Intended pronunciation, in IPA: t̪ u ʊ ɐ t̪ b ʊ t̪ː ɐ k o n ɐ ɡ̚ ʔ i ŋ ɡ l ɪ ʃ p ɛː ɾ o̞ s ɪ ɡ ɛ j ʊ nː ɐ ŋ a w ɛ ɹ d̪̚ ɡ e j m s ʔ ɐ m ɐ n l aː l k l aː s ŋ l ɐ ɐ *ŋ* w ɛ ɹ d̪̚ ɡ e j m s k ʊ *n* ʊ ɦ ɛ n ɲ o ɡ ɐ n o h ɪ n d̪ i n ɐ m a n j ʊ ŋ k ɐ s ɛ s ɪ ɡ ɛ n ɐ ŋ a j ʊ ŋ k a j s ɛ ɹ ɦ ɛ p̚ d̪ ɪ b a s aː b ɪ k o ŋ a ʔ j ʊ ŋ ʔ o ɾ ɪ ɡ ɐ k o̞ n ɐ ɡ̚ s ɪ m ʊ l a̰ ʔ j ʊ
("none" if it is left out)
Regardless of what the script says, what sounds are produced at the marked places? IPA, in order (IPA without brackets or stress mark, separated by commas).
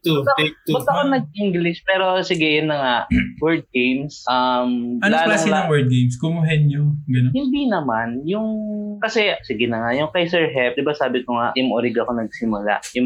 ŋ, m